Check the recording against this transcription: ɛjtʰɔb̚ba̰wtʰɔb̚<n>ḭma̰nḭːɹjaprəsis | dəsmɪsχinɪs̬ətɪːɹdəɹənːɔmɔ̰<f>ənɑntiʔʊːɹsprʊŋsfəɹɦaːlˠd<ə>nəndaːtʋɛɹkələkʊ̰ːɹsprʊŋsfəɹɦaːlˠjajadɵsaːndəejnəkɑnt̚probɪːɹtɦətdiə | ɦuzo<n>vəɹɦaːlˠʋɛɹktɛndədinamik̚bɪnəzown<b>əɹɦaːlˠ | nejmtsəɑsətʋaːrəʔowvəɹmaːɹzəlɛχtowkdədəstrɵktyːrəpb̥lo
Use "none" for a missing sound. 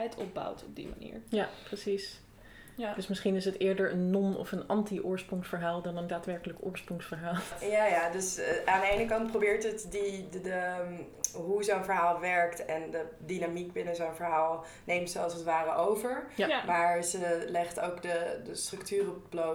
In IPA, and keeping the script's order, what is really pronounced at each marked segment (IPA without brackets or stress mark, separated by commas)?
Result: d, f, ɑ, n, v